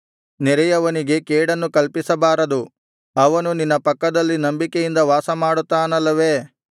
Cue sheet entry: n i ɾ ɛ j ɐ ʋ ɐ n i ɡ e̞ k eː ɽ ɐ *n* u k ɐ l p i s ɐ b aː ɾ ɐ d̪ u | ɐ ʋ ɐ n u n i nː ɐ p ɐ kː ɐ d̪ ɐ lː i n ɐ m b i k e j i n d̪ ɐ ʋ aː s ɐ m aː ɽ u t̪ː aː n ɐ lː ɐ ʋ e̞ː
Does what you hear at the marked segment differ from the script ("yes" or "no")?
yes